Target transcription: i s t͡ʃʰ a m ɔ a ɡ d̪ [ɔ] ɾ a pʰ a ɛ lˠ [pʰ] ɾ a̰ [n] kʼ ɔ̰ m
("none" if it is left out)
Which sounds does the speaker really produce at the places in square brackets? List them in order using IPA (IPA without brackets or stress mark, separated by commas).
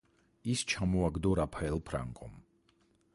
ɔ, pʰ, ŋ